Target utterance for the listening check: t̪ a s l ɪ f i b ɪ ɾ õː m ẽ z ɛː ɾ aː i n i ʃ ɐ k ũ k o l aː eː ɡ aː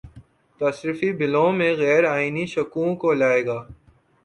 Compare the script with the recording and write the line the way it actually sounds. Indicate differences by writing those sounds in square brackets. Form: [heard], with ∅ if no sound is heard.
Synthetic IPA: t̪ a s [ɾ] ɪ f i b ɪ [l] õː m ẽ [ɣ] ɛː ɾ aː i n i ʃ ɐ k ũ k o l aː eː ɡ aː